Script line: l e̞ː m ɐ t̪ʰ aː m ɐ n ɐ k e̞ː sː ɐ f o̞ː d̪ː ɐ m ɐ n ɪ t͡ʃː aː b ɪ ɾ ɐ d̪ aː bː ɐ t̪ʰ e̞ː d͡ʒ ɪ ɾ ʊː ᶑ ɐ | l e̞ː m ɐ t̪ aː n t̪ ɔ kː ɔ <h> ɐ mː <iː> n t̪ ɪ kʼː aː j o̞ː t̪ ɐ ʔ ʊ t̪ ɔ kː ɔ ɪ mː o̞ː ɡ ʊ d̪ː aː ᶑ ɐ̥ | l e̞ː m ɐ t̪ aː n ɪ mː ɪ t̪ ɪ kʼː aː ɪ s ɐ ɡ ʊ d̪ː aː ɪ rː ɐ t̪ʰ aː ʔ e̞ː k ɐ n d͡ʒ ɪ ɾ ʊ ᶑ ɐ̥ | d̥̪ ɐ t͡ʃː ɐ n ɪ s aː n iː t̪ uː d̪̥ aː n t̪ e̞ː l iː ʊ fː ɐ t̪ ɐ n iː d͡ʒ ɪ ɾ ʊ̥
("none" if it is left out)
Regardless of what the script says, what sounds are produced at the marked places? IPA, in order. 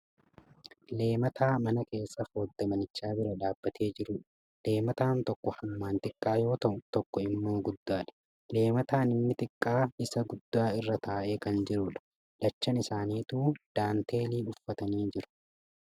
h, aː

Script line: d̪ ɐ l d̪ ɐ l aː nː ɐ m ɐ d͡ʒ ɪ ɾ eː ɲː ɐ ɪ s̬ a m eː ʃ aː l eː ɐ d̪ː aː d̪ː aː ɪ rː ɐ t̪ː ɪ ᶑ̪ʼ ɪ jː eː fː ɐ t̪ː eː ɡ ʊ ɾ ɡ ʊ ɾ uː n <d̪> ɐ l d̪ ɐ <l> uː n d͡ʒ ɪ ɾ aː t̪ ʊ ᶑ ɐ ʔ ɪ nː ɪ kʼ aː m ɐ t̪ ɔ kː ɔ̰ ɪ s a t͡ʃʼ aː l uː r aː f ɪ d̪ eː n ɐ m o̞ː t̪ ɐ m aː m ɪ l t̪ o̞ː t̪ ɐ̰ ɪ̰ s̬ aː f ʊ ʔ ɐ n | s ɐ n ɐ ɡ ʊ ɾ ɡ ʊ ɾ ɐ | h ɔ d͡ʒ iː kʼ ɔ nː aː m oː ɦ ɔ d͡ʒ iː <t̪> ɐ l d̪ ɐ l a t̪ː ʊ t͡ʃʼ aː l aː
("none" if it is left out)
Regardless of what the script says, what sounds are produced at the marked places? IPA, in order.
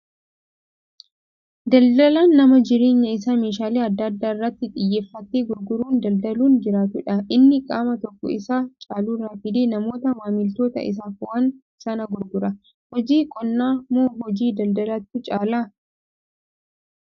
d̪, l, d̪

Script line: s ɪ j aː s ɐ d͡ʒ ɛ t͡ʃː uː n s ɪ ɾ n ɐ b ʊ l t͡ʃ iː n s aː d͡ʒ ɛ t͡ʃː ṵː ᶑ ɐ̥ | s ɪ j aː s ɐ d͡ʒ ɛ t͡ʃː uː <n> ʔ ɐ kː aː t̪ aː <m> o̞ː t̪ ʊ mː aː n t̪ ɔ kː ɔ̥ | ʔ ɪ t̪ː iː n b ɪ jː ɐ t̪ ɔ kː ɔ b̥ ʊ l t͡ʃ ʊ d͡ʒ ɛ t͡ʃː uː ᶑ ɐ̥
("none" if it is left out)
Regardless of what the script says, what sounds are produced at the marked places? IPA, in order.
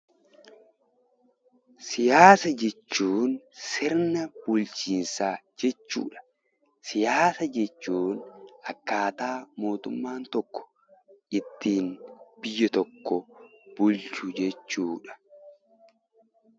n, m

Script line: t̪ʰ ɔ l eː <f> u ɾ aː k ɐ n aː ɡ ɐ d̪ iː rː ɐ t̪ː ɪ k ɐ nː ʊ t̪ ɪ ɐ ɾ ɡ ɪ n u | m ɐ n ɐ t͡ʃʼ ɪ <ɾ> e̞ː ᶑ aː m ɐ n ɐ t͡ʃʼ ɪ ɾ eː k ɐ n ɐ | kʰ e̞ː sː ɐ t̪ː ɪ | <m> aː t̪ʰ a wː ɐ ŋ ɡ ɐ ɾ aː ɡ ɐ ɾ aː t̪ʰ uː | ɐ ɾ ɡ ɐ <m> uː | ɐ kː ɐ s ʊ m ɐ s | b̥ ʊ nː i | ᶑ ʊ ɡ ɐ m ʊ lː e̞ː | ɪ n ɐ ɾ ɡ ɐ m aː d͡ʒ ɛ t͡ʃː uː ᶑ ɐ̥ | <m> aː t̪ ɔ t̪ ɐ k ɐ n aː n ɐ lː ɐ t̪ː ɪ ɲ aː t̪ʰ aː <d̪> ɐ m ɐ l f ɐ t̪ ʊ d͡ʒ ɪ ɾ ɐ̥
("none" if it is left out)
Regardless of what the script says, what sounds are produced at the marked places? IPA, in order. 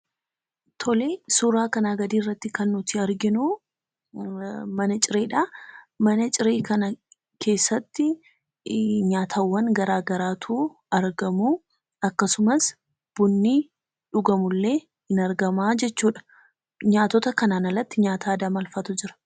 s, ɾ, ɲ, m, ɲ, d̪

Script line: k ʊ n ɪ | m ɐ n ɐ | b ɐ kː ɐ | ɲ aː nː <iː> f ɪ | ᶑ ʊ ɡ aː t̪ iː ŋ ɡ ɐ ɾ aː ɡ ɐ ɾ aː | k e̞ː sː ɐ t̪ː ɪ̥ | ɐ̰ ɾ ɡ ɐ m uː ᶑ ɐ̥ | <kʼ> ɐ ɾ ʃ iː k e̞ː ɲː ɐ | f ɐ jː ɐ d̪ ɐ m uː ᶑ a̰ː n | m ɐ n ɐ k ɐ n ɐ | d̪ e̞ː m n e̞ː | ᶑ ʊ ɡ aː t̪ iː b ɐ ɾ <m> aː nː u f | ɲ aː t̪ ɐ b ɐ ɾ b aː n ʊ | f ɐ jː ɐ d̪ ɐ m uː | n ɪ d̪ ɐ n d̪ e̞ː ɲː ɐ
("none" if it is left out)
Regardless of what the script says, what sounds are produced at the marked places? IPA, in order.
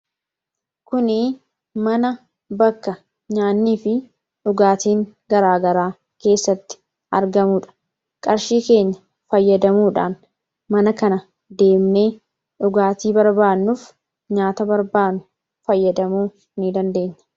iː, kʼ, b

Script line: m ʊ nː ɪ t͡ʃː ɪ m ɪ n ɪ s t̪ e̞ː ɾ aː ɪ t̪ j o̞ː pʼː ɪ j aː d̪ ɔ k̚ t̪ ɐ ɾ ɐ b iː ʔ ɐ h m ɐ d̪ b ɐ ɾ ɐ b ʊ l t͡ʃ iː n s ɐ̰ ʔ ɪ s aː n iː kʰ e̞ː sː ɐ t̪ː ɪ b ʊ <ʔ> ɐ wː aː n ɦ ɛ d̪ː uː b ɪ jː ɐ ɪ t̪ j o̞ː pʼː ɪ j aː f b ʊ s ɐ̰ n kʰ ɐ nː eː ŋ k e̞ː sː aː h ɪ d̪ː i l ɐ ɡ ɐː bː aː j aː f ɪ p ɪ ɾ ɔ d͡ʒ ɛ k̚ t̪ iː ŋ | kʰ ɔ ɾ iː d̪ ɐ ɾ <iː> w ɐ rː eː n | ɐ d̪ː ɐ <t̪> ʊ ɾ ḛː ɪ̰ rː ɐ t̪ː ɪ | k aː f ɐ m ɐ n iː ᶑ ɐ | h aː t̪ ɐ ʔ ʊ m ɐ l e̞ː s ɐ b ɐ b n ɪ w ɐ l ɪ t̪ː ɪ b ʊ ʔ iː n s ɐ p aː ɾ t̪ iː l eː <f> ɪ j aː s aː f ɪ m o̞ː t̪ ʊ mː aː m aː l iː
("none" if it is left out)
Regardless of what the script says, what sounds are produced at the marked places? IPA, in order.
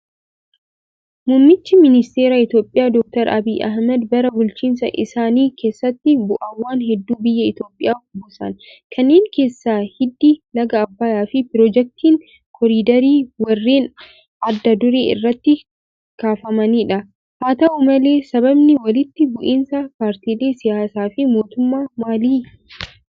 ʔ, iː, d̪, s

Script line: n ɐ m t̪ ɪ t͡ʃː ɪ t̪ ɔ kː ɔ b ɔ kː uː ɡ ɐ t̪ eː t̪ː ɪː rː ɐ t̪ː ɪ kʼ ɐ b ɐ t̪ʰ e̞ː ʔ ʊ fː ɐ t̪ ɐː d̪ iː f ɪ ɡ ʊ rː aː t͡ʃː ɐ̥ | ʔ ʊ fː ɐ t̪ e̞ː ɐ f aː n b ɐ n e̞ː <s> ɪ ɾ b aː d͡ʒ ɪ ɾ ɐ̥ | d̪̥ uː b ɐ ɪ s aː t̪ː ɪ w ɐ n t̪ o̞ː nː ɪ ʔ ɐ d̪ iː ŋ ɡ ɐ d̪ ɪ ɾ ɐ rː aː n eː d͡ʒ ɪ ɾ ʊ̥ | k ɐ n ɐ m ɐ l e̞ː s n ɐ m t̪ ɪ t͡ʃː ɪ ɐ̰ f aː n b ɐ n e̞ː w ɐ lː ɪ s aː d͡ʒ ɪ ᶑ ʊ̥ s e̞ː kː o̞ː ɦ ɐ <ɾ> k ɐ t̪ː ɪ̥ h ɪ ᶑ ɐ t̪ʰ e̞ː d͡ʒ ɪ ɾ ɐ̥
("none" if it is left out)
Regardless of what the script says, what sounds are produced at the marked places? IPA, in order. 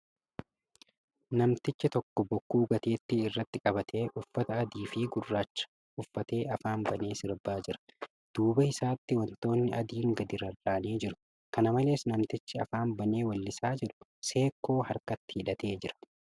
s, ɾ

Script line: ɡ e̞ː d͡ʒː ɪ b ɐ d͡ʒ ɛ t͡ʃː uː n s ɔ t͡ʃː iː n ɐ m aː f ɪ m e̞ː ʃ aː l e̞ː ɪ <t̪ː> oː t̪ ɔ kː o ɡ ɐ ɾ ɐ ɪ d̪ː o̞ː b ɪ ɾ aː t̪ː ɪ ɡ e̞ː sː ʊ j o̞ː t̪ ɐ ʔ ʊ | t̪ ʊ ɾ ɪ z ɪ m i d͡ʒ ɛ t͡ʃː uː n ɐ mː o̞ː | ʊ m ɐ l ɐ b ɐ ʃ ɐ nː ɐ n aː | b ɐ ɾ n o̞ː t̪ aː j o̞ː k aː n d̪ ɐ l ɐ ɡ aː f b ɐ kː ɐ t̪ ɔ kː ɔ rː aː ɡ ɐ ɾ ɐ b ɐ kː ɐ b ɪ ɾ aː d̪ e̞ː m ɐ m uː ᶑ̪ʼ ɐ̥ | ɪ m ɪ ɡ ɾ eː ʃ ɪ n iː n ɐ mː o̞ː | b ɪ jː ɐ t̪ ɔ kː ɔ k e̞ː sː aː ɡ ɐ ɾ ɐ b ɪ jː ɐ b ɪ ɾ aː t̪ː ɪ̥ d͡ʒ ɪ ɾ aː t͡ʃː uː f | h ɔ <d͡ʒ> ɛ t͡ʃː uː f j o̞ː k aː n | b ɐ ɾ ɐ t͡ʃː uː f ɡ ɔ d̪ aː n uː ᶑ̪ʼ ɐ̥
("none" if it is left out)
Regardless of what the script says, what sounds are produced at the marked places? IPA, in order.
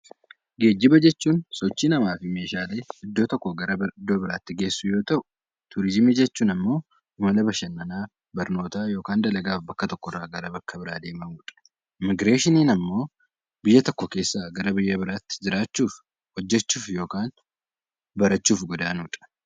d̪ː, d͡ʒː

